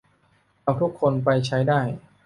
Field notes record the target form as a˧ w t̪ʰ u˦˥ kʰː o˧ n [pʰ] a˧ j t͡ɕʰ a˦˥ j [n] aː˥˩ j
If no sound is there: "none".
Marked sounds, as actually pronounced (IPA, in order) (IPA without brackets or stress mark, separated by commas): p, d